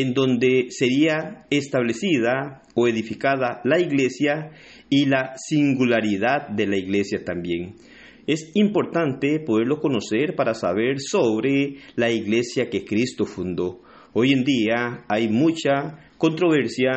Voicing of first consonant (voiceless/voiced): voiced